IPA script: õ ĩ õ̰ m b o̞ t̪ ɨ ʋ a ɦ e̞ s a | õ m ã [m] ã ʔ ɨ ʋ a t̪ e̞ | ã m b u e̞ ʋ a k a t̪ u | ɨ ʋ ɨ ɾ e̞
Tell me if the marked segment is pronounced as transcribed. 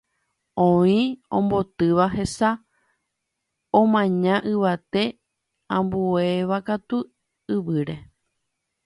no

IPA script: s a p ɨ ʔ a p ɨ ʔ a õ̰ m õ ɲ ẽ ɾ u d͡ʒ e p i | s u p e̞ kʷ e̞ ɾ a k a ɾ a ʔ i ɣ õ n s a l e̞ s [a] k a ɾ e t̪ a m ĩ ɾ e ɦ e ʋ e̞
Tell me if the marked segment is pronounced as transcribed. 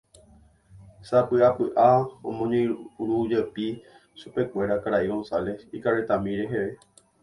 no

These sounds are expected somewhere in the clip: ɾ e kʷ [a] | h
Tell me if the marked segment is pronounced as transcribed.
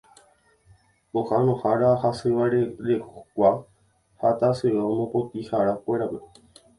yes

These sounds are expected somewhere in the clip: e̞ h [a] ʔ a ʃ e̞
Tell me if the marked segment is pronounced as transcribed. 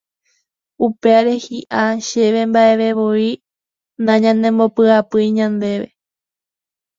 no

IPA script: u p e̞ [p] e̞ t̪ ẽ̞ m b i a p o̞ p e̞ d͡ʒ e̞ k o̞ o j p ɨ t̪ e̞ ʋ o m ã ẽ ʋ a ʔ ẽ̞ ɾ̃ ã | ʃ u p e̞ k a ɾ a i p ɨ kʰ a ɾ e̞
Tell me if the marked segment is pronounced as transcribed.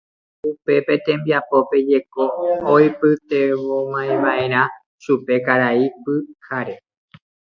yes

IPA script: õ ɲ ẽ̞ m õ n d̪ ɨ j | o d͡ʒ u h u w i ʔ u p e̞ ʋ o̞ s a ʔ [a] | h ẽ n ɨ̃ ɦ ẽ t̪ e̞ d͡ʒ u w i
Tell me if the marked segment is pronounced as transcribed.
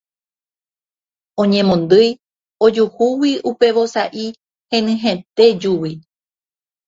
no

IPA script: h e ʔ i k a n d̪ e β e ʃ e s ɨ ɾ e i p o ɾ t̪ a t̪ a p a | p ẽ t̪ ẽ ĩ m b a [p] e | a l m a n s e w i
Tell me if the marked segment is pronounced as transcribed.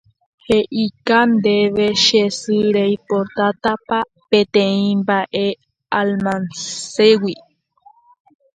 no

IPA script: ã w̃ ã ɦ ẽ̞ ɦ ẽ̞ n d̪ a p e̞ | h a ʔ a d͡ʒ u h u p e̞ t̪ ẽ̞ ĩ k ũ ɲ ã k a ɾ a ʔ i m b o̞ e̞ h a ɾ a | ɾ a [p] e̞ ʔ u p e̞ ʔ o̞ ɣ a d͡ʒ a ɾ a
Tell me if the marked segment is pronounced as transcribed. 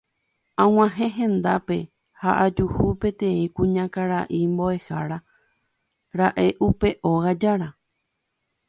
no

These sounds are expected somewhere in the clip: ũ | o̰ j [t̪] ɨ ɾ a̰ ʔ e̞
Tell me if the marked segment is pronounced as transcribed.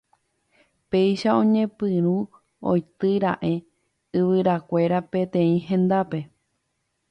yes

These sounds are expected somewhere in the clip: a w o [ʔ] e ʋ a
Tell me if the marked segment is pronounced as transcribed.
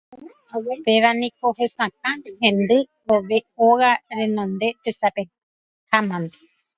no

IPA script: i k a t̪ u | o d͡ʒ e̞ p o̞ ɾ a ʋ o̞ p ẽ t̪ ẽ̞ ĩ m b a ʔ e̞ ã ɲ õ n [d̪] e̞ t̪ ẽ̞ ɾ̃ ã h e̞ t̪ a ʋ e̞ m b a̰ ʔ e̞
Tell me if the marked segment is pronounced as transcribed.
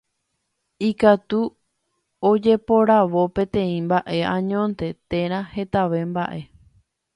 no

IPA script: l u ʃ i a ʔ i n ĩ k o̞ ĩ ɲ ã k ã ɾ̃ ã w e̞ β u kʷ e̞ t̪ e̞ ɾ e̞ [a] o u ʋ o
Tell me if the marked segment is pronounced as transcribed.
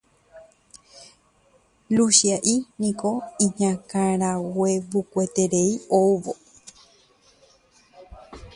no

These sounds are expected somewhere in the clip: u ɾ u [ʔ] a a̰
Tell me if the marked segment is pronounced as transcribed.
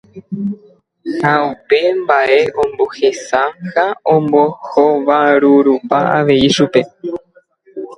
no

